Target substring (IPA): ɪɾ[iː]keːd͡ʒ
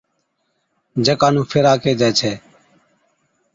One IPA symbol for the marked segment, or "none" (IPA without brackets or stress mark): aː